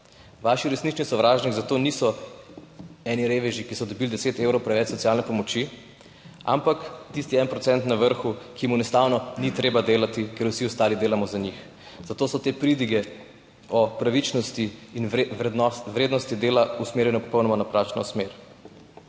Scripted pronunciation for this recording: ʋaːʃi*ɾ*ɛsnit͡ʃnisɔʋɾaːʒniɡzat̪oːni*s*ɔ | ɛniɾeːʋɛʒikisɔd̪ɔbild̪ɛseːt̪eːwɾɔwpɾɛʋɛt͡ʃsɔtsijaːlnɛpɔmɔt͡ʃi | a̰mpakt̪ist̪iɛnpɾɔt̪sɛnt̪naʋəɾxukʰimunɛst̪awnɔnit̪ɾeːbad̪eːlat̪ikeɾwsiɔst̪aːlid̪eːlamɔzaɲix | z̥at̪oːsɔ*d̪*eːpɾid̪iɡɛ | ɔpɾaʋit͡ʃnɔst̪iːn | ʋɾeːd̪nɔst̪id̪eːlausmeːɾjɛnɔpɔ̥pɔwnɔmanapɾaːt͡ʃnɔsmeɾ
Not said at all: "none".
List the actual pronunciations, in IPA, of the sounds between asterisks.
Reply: ɾ, s, t̪

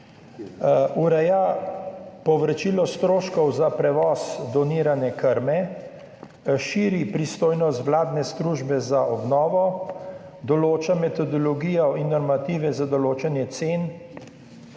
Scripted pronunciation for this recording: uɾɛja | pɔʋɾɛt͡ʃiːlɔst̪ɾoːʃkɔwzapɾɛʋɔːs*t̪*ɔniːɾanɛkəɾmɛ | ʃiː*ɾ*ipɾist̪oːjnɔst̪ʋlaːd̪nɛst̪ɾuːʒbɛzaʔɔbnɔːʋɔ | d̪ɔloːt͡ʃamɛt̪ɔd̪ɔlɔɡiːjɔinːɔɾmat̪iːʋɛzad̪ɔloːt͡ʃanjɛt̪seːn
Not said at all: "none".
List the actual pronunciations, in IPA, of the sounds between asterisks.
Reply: d̪, ɾ

